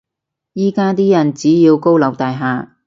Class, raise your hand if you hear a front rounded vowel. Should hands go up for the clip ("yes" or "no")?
no